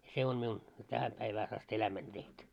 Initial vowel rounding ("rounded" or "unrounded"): unrounded